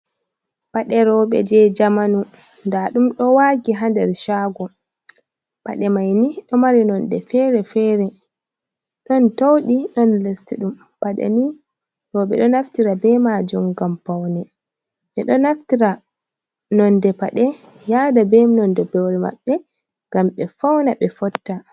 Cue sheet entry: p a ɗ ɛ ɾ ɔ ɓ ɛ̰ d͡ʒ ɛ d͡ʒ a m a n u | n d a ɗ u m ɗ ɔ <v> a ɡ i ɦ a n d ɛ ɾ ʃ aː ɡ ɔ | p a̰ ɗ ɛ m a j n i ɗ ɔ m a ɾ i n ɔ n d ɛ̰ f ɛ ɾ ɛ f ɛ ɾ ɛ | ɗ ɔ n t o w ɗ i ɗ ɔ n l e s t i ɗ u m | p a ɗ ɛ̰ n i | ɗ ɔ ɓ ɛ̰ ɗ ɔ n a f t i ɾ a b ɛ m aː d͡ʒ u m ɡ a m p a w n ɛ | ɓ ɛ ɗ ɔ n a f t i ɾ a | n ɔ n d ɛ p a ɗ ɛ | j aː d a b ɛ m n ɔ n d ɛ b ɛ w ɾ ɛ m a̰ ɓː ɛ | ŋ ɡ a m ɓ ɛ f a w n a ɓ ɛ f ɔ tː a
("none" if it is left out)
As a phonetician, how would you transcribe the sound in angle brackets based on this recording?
w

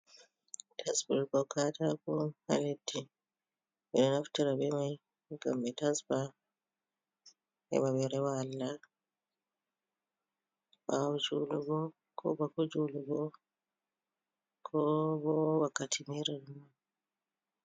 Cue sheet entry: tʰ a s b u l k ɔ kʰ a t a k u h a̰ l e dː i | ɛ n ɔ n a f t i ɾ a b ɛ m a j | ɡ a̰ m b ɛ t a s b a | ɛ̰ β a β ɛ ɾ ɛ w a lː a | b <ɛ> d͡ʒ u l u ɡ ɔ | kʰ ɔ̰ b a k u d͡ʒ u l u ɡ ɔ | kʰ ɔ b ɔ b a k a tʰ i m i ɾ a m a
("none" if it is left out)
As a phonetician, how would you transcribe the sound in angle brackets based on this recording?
a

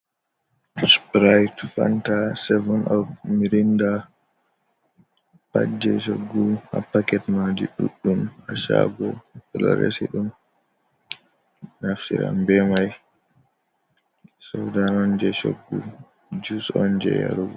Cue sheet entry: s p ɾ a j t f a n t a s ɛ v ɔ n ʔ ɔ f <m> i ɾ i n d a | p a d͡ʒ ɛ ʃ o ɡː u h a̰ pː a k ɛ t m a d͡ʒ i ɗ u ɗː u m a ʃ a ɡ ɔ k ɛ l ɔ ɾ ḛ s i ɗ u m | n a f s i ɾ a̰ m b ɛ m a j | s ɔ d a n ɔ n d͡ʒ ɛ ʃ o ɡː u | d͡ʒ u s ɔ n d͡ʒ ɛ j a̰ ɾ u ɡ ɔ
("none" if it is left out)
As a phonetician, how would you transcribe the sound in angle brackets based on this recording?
m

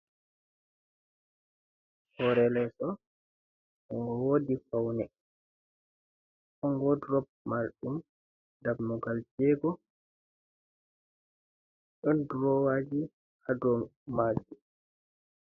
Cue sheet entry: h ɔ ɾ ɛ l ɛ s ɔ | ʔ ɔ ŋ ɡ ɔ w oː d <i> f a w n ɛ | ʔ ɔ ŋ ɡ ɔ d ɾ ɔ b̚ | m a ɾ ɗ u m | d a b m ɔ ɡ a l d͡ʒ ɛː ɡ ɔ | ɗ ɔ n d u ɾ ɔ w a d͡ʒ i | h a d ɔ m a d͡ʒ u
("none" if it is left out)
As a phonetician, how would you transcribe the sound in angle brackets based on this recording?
i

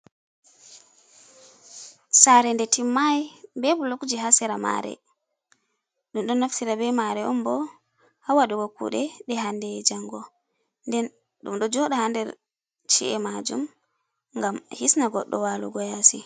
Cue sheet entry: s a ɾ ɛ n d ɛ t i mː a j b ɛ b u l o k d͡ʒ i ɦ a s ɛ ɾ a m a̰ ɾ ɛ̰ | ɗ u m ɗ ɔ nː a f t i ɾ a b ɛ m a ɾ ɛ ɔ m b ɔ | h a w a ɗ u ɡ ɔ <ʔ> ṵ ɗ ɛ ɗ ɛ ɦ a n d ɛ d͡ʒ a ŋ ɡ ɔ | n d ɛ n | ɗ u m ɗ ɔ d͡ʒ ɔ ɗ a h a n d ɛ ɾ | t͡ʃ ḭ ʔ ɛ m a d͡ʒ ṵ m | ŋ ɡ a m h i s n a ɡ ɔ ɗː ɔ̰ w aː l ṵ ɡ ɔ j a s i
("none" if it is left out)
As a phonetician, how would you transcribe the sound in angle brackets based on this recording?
k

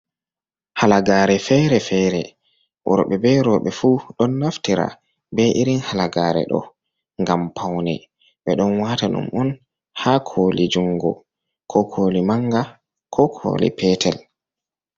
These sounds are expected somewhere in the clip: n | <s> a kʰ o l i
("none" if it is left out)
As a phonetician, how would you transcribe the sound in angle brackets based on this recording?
h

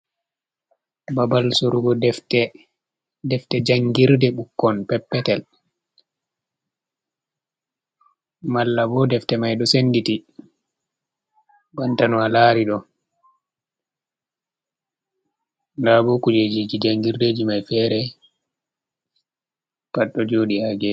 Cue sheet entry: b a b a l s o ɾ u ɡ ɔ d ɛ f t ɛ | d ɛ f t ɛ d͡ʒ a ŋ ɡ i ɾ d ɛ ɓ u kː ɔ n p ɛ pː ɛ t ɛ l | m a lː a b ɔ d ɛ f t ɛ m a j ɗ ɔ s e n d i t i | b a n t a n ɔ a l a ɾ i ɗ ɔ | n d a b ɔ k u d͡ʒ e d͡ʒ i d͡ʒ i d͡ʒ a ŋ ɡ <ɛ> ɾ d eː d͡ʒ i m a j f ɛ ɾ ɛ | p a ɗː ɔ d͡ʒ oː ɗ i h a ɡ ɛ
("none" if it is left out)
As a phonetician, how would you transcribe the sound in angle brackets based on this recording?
i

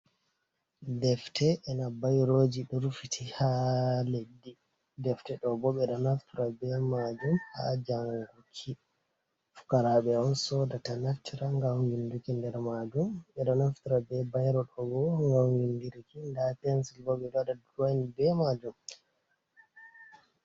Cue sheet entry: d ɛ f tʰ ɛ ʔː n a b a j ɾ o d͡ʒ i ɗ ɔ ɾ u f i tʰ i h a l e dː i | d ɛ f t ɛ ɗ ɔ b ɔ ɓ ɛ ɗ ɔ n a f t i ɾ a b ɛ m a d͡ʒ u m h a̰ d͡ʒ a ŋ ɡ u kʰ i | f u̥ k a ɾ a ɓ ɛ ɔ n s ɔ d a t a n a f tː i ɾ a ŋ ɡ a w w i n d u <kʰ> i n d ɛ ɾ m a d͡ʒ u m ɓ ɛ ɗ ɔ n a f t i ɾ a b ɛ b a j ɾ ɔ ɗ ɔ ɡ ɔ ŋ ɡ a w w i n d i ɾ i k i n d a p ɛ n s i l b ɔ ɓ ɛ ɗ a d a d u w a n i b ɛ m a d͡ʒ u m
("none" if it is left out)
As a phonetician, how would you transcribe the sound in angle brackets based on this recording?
k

